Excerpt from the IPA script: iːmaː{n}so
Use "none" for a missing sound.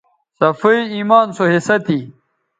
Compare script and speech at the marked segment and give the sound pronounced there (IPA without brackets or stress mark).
n